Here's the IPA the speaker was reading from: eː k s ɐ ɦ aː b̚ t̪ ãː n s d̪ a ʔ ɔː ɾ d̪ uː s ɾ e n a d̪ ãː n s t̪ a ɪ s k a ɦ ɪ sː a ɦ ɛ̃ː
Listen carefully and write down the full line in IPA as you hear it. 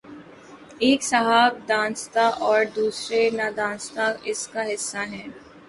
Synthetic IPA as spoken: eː k s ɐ ɦ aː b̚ d̪ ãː n s t̪ a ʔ ɔː ɾ d̪ uː s ɾ e n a d̪ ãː n s t̪ a ɪ s k a ɦ ɪ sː a ɦ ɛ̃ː